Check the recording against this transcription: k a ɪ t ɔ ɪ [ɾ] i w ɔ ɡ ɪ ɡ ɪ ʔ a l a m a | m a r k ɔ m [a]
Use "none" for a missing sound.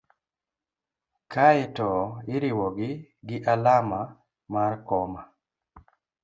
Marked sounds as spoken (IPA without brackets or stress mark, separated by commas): ɾ, a